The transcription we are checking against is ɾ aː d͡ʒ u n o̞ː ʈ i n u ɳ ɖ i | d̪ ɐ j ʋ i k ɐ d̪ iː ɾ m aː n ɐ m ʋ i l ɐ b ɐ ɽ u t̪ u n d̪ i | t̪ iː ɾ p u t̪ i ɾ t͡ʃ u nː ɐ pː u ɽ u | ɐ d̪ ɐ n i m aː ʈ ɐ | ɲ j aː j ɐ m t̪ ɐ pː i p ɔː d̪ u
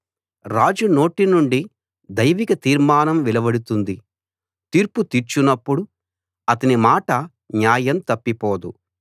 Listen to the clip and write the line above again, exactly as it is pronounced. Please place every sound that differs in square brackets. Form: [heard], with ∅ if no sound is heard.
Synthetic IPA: ɾ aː d͡ʒ u n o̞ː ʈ i n u ɳ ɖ i | d̪ ɐ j ʋ i k ɐ [t̪] iː ɾ m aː n ɐ m ʋ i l ɐ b ɐ ɽ u t̪ u n d̪ i | t̪ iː ɾ p u t̪ i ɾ t͡ʃ u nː ɐ pː u ɽ u | ɐ [t̪] ɐ n i m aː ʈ ɐ | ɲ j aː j ɐ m t̪ ɐ pː i p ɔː d̪ u